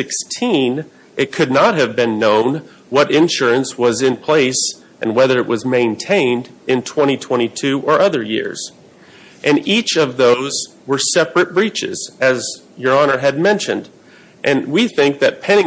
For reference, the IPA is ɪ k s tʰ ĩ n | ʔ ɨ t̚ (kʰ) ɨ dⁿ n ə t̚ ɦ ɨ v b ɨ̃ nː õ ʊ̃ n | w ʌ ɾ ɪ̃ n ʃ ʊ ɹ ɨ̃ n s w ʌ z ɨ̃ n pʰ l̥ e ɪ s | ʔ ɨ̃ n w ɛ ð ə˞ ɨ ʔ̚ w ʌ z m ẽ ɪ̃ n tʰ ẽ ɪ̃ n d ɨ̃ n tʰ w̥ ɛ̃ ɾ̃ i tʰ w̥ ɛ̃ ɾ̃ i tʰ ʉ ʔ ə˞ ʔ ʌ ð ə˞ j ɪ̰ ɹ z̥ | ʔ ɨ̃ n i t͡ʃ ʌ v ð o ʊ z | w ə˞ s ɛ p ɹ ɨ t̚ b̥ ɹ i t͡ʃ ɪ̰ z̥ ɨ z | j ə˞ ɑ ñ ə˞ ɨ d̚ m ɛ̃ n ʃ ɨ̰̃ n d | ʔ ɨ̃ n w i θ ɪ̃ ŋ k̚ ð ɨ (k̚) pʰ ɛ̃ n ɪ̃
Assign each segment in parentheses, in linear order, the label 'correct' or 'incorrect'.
correct, incorrect: t̚

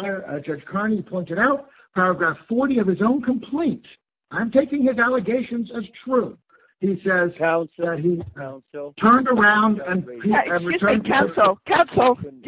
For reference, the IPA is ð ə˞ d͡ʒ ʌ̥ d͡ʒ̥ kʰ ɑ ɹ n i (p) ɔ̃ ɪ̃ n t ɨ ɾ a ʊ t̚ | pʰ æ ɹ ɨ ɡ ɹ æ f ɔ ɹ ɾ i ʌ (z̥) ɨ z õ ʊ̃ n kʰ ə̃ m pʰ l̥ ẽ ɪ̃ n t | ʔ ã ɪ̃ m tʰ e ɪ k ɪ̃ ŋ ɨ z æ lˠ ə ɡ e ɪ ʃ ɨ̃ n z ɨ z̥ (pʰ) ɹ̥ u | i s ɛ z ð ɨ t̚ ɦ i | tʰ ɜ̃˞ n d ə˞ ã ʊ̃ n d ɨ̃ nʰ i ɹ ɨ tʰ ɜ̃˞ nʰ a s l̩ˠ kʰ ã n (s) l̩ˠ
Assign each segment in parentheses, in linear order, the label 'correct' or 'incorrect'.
incorrect: pʰ, incorrect: v̥, incorrect: tʰ, correct

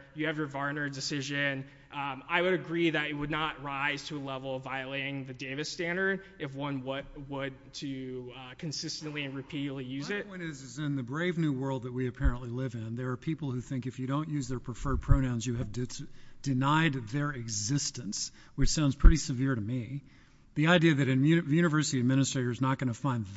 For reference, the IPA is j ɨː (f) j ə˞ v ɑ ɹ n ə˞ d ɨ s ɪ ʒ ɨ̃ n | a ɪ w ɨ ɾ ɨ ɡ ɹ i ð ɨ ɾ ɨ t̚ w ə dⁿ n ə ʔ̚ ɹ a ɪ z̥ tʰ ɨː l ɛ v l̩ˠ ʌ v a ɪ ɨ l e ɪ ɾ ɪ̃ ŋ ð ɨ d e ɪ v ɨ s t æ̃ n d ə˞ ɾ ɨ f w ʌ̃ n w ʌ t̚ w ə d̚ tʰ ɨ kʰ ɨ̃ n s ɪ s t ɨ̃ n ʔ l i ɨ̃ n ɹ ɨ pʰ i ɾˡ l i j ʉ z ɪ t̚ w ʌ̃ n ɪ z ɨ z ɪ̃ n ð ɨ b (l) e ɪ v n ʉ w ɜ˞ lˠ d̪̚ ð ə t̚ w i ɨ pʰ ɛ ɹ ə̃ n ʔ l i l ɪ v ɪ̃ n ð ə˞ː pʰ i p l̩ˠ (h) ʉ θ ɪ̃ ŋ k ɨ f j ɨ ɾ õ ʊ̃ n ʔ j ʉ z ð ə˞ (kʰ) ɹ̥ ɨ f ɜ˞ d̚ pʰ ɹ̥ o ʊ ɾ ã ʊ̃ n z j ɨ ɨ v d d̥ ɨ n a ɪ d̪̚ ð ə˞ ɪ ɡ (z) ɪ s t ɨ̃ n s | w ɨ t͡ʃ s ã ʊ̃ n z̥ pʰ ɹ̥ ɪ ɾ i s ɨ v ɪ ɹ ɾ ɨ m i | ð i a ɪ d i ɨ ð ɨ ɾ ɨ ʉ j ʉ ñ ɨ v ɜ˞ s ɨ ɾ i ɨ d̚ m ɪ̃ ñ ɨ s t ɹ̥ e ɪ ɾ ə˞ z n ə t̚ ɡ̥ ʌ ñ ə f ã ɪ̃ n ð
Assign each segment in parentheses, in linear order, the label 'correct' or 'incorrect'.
incorrect: v, incorrect: ɹ, correct, incorrect: pʰ, correct

